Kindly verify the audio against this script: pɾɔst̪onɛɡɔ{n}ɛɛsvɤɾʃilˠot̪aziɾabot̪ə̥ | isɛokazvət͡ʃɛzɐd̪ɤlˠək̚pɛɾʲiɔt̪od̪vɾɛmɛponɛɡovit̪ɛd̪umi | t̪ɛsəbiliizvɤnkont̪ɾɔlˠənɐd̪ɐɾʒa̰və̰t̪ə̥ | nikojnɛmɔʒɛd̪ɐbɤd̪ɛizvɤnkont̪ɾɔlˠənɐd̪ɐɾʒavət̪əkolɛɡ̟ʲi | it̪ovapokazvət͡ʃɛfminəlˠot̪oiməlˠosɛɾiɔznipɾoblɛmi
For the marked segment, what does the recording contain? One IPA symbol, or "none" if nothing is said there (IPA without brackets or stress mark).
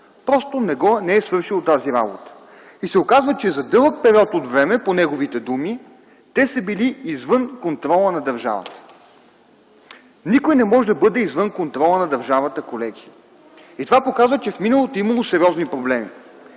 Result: n